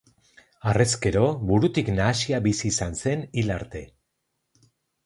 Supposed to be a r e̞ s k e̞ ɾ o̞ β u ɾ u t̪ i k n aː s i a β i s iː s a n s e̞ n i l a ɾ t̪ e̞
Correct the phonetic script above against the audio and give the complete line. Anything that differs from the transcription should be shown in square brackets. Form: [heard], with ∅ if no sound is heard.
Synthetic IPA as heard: a r e̞ s k e̞ ɾ o̞ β u ɾ u t̪ i k n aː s i a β i s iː s a n s e̞ n i l a ɾ t̪ e̞